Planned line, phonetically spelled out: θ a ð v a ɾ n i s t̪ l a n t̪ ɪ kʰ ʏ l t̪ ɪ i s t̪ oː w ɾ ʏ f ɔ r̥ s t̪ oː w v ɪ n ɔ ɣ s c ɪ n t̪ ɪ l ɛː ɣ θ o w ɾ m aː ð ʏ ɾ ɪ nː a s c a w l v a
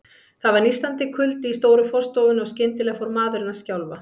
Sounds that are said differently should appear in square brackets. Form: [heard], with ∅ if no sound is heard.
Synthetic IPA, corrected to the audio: θ a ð v a ɾ n i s t̪ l a n t̪ ɪ kʰ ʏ l t̪ ɪ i s t̪ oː w ɾ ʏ f ɔ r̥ s t̪ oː w v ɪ n ɔ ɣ s c ɪ n t̪ ɪ l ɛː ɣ [f] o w ɾ m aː ð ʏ ɾ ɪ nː a s c a w l v a

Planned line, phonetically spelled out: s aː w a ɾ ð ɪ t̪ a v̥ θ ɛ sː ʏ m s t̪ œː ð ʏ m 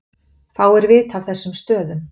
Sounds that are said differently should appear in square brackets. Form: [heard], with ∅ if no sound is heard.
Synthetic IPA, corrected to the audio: [θ] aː w [ɛ] ɾ [v] ɪ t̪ a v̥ θ ɛ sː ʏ m s t̪ œː ð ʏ m

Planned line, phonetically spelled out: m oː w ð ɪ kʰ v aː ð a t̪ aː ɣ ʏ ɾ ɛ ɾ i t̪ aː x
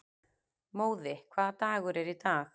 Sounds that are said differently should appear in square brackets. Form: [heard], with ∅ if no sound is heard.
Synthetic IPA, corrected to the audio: m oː w ð ɪ kʰ v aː ð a t̪ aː ɣ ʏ ɾ ɛ ɾ i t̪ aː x

